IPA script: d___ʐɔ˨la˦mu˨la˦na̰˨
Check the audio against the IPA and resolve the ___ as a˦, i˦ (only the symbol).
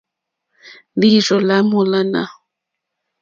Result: i˦